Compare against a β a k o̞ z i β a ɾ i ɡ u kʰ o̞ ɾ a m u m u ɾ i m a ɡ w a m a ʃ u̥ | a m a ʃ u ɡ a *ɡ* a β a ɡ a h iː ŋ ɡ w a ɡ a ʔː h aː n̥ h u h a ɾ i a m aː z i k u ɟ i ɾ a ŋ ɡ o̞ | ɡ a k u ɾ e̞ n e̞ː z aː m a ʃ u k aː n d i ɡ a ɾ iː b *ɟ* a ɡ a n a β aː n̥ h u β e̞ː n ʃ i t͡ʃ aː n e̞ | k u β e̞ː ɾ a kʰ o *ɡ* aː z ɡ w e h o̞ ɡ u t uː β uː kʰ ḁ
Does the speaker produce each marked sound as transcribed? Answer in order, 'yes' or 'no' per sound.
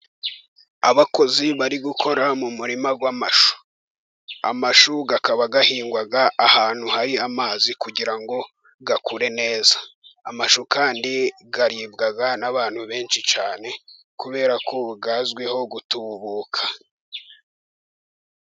no, no, yes

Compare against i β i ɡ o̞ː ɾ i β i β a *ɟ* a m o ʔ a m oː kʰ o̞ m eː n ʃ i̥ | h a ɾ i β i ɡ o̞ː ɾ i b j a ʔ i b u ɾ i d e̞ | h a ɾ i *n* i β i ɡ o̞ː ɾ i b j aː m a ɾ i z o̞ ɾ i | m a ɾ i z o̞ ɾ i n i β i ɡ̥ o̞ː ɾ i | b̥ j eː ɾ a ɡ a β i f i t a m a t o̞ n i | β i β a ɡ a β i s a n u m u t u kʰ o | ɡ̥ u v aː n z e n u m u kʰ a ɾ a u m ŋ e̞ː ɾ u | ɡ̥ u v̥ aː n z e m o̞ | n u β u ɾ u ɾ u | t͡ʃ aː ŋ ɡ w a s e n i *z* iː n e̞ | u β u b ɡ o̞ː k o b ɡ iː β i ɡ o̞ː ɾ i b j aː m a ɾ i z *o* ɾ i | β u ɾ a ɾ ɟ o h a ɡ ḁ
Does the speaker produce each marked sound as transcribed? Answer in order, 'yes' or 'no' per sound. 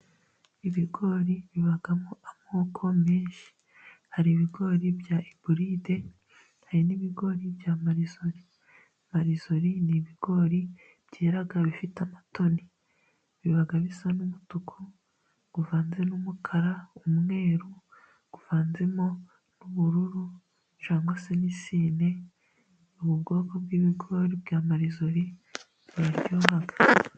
no, yes, no, yes

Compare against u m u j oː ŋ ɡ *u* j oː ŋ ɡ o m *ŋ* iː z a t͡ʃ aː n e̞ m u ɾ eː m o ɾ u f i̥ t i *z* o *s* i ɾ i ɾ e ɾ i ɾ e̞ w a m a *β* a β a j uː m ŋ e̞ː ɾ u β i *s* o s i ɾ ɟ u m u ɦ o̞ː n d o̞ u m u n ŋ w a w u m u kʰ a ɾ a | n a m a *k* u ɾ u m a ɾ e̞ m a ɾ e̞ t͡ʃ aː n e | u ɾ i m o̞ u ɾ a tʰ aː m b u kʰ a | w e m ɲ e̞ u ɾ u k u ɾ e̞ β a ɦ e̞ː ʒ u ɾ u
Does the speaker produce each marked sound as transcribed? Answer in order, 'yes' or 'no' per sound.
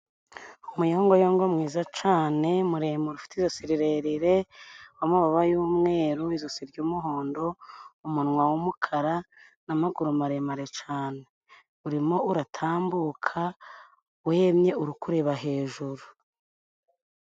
no, yes, yes, yes, yes, no, no

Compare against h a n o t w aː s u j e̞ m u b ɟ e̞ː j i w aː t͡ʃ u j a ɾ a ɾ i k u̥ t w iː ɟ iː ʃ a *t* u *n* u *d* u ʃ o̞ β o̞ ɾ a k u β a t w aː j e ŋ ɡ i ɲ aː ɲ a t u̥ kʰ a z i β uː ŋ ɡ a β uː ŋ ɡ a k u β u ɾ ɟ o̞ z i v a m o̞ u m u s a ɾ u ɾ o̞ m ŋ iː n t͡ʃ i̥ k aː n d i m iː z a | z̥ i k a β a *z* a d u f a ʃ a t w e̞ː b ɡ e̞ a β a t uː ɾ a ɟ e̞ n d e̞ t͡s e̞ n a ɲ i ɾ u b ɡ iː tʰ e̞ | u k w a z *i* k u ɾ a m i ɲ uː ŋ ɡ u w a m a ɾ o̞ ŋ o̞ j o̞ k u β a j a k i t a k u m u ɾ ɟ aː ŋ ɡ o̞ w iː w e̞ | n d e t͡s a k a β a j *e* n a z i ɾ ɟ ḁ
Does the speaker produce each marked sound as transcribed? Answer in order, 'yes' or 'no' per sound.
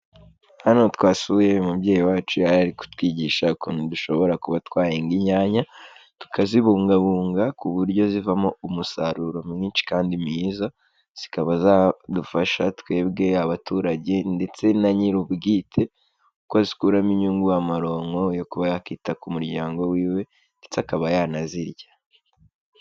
no, yes, yes, yes, yes, no

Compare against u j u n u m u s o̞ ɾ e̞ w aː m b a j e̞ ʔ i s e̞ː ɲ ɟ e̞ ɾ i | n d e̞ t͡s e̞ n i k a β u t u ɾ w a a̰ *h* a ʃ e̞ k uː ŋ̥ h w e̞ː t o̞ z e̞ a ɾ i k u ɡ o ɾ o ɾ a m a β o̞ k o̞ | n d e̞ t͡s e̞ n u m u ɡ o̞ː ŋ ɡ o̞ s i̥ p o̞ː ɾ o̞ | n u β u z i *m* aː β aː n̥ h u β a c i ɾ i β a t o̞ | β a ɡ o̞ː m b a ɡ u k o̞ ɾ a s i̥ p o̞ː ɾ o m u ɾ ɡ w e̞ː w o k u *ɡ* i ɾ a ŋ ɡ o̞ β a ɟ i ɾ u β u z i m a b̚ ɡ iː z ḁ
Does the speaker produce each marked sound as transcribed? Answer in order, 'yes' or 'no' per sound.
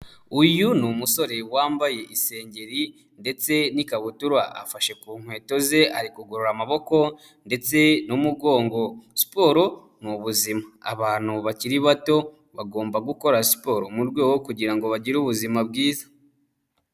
no, yes, no

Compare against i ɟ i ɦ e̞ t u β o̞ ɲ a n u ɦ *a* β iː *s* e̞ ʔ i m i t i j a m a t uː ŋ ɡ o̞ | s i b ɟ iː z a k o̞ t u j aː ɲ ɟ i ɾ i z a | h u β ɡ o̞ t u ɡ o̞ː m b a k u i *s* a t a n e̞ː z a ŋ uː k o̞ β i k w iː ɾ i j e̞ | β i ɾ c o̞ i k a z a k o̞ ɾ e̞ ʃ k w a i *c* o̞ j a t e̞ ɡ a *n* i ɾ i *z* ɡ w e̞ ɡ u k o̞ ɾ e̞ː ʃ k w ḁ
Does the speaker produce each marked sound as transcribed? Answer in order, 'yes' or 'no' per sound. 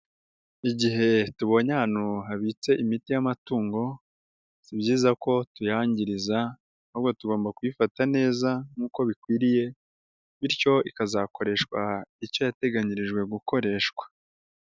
yes, no, no, yes, no, no

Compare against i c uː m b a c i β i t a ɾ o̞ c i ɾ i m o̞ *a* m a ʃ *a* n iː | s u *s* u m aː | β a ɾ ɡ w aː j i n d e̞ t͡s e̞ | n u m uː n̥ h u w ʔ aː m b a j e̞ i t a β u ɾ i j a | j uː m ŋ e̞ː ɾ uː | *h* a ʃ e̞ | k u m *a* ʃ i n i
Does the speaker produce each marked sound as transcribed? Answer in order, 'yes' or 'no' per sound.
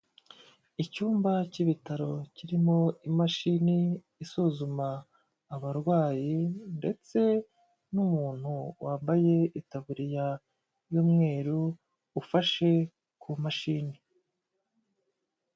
no, no, no, no, yes

